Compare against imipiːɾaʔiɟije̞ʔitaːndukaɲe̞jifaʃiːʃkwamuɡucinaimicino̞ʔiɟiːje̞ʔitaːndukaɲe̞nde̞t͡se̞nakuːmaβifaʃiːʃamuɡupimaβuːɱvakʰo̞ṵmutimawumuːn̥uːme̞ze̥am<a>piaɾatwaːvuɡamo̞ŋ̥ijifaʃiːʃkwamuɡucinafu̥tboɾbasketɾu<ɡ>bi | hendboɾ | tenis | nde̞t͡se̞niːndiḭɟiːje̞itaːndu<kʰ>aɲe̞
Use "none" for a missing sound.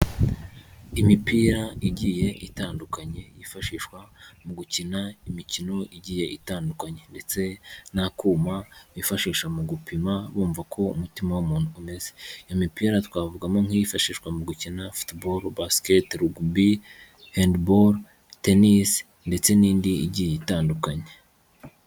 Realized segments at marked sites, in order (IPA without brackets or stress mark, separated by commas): i, ɡ, k